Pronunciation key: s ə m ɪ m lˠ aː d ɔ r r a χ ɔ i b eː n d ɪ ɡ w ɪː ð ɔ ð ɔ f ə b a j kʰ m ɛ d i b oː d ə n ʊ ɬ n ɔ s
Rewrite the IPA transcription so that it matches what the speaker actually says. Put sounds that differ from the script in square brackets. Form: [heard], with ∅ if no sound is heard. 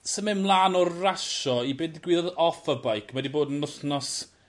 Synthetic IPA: s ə m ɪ m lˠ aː [n] ɔ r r a [ʃ] ɔ i b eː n d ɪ ɡ w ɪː ð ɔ ð ɔ f ə b a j kʰ m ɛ d i b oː d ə n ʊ ɬ n ɔ s